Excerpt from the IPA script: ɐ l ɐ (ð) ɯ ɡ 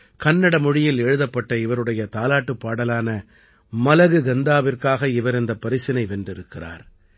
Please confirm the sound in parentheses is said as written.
no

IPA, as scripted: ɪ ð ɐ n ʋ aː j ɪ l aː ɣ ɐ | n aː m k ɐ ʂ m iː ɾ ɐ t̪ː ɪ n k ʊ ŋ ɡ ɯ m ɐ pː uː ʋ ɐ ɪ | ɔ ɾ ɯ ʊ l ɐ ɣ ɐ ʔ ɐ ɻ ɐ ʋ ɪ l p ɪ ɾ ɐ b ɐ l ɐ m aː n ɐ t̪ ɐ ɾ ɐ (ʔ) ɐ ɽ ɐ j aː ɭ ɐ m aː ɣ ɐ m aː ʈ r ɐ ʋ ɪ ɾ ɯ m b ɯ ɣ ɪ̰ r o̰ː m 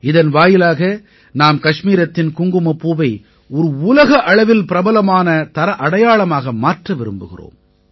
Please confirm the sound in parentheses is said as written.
yes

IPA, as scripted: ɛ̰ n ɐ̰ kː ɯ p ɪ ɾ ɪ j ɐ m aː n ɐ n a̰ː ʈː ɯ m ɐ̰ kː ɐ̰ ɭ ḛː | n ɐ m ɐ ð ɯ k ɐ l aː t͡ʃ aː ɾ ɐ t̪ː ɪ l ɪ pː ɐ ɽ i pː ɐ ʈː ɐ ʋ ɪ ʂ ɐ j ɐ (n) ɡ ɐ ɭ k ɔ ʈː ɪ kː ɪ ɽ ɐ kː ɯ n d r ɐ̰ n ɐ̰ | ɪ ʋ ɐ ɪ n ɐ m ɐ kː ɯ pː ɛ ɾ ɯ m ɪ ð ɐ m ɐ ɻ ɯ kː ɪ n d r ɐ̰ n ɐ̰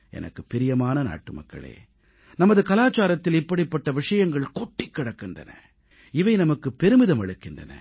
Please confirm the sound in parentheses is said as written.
no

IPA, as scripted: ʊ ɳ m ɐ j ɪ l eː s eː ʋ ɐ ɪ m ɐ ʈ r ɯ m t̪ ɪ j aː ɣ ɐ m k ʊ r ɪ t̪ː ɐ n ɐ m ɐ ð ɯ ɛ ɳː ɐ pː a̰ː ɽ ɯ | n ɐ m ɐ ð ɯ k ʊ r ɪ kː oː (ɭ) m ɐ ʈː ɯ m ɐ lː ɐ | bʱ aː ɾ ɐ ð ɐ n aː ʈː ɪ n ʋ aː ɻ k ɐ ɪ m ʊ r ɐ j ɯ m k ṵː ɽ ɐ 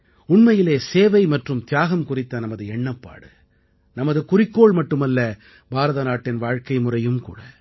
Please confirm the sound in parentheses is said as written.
yes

